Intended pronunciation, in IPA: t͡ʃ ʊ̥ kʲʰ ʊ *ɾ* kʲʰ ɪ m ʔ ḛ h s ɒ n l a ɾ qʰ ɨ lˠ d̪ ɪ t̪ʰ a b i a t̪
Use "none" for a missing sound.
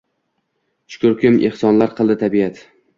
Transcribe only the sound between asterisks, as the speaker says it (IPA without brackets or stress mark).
ɾ